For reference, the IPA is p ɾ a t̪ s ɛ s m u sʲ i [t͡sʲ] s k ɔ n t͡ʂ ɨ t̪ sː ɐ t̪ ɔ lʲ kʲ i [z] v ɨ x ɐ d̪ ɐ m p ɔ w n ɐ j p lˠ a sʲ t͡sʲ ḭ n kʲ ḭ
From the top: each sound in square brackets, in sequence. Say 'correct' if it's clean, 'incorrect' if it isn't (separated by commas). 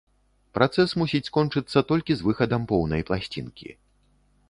correct, correct